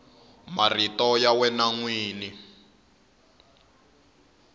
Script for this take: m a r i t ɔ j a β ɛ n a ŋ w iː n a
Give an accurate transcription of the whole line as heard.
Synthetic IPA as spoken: m a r i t ɔ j a w ɛ n a ŋ w iː n i